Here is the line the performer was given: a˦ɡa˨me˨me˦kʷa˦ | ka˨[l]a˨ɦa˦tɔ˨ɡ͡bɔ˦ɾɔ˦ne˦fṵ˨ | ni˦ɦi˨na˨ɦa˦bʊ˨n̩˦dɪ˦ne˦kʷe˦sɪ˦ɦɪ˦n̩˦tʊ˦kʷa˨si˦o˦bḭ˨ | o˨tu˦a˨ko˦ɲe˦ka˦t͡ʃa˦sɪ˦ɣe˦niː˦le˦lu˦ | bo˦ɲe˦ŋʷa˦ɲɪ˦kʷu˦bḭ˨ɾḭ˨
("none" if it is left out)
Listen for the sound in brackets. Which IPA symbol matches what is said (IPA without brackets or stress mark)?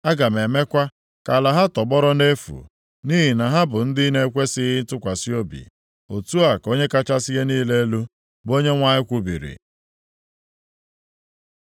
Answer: l